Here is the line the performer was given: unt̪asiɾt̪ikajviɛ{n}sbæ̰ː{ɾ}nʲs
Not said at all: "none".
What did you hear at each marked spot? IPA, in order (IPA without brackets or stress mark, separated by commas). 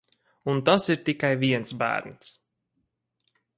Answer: n, ɾ